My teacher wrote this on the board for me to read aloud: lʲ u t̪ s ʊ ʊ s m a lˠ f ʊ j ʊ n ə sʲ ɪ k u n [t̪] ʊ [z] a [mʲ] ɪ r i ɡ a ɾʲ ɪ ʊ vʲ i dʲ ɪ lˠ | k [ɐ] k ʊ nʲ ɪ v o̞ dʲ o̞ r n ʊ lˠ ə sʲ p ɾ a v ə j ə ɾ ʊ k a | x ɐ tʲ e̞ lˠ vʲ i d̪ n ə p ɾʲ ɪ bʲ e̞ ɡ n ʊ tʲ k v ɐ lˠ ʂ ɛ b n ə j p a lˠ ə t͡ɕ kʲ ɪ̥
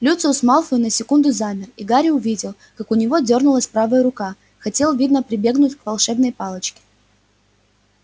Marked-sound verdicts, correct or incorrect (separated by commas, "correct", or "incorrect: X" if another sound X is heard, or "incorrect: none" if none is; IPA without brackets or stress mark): incorrect: d̪, correct, correct, incorrect: a